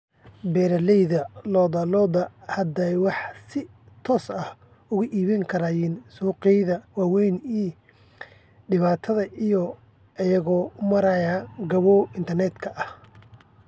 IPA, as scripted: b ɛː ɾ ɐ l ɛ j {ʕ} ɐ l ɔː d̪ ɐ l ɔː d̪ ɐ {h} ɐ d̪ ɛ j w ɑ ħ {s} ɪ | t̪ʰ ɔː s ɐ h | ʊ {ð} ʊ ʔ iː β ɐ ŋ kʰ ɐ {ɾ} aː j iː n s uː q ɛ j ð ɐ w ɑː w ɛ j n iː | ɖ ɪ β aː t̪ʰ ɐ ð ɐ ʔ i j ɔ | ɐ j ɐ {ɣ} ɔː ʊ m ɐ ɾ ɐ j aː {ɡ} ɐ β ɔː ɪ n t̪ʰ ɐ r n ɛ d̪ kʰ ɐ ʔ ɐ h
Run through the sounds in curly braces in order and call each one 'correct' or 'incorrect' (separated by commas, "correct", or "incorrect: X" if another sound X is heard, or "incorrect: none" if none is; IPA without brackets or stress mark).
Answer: incorrect: ð, correct, correct, incorrect: ɣ, correct, correct, correct